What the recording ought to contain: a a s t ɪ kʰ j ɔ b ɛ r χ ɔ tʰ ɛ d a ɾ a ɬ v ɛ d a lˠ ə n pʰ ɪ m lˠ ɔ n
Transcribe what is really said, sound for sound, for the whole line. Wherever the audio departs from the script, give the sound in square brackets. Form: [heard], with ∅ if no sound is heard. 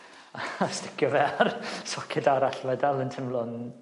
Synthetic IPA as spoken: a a s t ɪ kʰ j ɔ [v] ɛ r [s] ɔ [kʰ] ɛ d a ɾ a ɬ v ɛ d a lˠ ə n [tʰ] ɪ m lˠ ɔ n